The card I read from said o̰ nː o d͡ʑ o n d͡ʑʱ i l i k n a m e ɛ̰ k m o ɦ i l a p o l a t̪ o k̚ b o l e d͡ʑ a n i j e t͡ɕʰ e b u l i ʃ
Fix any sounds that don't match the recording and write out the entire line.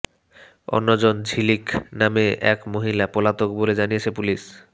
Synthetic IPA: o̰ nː o d͡ʑ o n d͡ʑʱ i l i k n a m e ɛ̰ k m o ɦ i l a p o l a t̪ o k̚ b o l e d͡ʑ a n i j e t͡ɕʰ e p u l i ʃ